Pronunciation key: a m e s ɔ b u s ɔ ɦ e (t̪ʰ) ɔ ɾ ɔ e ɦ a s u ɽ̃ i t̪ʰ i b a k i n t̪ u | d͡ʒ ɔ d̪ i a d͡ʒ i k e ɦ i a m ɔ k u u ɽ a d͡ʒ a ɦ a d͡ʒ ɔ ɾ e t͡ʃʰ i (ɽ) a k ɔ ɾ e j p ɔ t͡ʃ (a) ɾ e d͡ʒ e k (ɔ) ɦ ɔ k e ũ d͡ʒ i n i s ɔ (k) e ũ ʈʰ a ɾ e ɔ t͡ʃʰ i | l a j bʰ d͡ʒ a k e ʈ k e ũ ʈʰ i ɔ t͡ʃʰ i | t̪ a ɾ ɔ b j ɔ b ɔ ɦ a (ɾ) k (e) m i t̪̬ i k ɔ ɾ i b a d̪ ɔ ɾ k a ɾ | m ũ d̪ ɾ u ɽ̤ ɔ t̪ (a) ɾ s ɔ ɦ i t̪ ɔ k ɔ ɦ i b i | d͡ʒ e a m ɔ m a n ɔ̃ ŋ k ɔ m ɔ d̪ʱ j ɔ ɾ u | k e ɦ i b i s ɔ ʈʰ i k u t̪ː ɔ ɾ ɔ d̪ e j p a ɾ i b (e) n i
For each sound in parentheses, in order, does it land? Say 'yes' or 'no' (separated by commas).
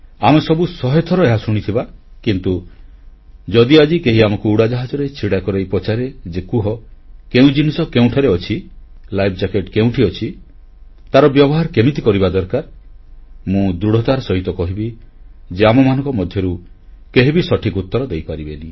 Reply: yes, yes, yes, no, yes, yes, yes, yes, yes